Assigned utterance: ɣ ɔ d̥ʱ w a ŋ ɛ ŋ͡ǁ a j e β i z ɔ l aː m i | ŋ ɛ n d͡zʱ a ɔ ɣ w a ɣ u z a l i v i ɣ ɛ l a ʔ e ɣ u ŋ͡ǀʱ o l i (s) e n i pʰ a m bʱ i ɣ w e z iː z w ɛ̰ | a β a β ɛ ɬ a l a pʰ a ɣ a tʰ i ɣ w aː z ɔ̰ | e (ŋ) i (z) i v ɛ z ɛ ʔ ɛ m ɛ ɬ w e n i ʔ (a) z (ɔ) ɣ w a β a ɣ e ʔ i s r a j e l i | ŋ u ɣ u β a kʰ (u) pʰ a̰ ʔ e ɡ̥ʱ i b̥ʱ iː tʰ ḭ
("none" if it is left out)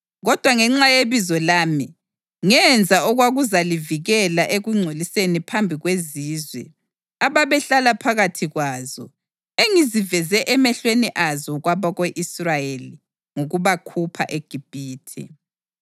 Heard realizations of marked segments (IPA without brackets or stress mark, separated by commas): s, ŋ, z, a, ɔ, u